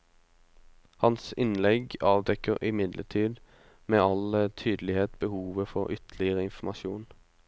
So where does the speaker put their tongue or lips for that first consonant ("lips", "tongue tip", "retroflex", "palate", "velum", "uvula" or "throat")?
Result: throat